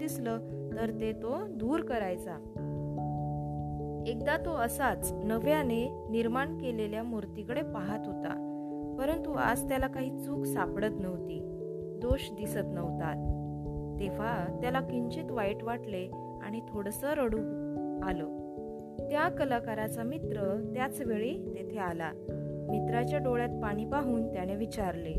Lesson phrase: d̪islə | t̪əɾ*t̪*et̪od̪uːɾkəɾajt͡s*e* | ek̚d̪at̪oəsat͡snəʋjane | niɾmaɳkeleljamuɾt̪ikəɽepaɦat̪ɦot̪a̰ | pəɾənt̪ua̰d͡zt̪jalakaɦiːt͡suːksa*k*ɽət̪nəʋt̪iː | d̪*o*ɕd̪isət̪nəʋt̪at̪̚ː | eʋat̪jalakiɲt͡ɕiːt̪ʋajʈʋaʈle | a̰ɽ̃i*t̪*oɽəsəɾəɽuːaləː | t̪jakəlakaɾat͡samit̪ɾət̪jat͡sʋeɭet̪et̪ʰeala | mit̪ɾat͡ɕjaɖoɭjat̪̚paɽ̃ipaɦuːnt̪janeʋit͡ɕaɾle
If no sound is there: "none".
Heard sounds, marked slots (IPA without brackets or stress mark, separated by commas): t̪, a, p, o, t̪ʰ